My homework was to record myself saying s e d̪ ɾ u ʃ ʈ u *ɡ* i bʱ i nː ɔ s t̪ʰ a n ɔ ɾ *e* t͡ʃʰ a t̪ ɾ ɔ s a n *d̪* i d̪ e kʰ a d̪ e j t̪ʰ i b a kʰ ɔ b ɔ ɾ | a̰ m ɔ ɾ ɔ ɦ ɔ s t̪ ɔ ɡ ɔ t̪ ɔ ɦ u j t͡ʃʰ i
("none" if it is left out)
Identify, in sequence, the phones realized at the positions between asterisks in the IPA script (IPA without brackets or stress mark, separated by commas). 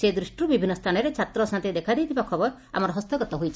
b, e, t̪